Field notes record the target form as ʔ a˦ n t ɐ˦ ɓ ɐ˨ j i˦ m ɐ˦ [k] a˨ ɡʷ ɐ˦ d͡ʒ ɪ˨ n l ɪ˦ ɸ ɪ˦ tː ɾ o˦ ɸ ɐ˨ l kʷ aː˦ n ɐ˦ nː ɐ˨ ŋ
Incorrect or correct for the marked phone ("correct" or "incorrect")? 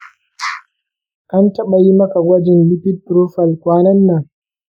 correct